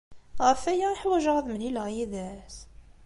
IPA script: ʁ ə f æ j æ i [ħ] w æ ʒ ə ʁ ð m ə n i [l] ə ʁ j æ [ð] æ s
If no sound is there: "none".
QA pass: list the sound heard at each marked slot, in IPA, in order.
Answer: ħ, l, ð

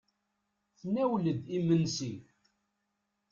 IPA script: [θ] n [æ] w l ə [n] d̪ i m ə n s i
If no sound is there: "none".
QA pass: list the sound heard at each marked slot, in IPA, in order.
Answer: θ, æ, none

